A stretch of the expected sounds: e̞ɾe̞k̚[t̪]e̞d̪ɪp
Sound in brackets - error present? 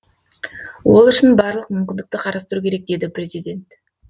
yes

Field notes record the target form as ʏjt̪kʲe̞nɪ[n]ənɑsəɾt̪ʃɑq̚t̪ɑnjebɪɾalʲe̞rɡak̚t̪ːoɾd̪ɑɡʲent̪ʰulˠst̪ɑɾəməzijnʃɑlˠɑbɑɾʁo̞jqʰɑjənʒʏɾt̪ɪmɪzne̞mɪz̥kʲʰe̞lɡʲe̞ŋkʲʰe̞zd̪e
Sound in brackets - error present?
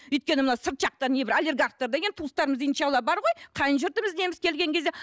yes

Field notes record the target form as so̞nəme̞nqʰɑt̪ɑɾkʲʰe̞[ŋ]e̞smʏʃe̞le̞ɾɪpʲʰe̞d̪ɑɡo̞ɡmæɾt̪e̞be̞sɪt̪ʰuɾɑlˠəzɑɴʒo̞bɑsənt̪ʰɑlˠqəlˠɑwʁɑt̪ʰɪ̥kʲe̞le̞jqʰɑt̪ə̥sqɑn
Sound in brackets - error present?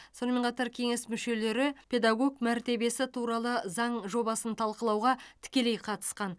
no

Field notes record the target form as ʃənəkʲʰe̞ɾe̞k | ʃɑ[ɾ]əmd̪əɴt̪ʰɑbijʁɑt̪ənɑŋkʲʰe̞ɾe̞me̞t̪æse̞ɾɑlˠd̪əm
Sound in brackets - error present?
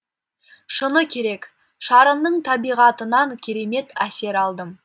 no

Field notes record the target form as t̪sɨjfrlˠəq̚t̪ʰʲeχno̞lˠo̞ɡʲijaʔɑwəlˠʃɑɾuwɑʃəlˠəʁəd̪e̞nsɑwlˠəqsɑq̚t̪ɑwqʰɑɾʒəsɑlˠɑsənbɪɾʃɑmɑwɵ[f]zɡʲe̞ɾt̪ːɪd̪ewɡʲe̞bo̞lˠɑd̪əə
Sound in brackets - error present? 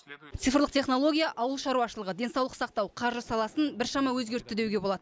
yes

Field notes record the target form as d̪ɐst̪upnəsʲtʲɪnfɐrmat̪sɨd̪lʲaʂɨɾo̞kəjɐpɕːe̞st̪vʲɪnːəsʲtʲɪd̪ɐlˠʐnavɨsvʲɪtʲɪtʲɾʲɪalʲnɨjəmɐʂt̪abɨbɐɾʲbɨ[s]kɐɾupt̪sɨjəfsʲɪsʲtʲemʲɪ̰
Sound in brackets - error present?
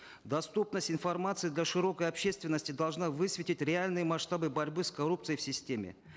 no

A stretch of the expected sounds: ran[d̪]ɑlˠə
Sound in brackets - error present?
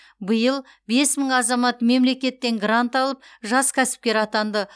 yes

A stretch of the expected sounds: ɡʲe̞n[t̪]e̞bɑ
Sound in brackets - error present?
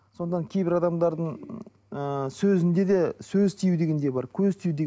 yes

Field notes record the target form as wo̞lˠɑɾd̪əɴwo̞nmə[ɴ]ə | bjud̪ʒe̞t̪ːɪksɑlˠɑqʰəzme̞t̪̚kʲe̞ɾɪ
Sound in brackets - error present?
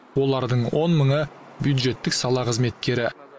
no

